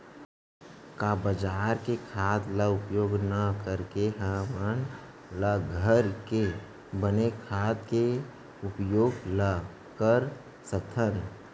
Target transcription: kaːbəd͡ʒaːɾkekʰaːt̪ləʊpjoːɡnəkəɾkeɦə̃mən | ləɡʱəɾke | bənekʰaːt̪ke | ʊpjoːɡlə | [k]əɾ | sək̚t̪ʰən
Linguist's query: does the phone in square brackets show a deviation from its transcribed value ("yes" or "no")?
no